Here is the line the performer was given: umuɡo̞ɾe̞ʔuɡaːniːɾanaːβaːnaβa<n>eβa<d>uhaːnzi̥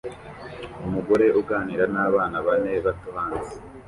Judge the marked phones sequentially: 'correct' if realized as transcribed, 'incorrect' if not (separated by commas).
correct, incorrect